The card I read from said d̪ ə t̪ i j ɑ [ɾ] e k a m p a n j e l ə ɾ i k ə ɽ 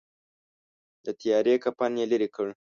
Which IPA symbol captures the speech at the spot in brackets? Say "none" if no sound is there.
ɾ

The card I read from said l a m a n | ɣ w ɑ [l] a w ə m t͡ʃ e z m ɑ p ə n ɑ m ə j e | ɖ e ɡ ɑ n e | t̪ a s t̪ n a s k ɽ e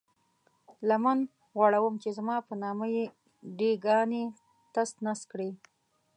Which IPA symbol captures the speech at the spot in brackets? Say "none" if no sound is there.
ɽ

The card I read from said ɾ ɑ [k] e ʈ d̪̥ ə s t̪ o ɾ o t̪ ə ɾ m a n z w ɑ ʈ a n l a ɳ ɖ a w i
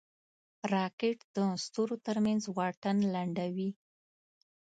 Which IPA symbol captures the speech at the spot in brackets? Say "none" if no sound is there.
k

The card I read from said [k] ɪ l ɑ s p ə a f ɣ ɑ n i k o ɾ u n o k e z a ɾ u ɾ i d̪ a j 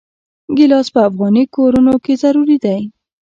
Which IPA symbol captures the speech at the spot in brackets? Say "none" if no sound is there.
ɡ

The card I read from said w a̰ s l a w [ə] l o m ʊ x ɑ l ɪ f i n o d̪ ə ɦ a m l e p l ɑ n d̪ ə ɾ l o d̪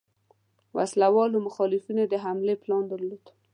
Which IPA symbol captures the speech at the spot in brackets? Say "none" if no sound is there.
ɑ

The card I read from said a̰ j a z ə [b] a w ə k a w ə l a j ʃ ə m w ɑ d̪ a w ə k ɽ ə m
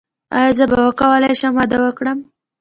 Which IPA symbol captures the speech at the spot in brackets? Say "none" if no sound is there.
b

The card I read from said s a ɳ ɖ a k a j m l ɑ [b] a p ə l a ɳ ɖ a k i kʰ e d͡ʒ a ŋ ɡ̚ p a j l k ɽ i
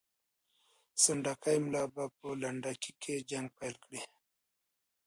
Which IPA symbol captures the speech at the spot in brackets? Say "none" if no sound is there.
b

